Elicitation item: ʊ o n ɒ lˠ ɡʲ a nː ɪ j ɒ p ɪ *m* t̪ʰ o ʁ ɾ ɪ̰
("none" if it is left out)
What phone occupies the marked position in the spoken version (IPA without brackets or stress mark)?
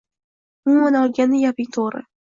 ŋ